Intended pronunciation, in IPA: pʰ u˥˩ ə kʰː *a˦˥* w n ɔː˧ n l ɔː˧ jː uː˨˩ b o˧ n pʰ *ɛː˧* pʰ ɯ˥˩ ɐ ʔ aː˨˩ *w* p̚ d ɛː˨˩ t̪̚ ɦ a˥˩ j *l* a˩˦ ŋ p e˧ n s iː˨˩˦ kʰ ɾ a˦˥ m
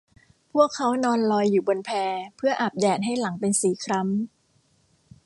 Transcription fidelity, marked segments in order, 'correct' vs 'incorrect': correct, correct, incorrect, correct

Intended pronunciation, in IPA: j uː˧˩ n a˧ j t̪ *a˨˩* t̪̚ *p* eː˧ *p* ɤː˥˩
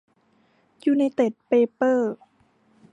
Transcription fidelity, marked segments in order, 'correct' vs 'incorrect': incorrect, correct, correct

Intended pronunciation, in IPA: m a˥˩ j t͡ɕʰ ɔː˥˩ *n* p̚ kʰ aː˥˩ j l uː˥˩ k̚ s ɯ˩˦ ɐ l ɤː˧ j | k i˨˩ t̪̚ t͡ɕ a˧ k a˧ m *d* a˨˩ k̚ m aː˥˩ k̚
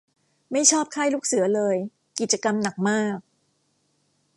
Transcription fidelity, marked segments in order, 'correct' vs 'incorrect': incorrect, incorrect

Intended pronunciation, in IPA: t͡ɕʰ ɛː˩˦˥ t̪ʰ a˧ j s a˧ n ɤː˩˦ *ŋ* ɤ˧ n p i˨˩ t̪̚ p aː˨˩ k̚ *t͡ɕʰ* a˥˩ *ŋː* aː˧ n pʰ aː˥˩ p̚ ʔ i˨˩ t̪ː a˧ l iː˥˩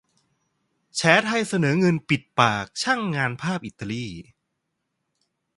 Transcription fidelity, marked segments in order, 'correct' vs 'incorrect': correct, correct, correct

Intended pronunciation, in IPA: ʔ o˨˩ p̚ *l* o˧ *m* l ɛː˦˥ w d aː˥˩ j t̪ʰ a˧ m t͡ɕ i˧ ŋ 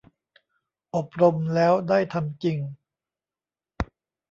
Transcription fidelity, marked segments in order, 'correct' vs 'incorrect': incorrect, correct

